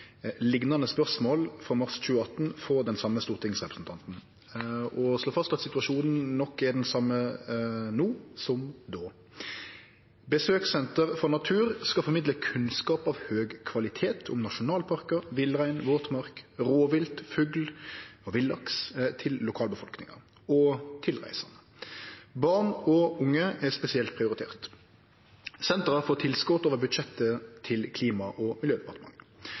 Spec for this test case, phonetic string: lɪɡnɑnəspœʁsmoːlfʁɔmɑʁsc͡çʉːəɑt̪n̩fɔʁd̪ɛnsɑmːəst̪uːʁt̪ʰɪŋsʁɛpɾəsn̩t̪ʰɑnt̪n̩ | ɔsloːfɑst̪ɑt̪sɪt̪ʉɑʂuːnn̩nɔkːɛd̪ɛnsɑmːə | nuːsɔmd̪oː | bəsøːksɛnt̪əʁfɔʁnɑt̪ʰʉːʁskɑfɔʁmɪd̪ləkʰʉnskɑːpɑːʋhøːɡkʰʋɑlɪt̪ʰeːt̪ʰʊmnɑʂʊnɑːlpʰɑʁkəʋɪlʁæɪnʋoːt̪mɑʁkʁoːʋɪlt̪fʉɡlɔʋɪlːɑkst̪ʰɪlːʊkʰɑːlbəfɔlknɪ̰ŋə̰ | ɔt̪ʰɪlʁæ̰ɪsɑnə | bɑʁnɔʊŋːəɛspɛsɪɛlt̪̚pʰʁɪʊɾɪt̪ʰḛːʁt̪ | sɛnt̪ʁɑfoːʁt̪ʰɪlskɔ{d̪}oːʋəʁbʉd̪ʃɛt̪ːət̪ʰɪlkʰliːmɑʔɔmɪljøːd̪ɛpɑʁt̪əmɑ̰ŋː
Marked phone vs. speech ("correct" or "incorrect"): incorrect